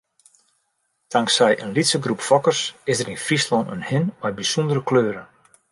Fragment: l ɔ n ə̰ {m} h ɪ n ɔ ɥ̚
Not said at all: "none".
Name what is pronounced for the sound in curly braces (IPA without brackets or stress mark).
n